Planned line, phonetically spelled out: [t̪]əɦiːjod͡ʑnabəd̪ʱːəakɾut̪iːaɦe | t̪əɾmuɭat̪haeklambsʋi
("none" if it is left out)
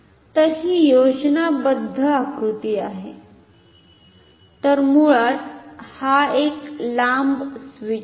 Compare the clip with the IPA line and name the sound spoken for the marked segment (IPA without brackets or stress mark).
t̪